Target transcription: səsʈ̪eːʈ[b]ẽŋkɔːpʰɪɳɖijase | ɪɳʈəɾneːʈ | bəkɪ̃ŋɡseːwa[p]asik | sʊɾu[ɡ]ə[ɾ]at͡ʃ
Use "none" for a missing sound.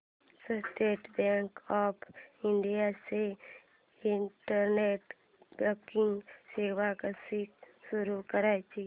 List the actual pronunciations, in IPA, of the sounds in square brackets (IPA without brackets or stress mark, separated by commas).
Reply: b, k, k, ɾ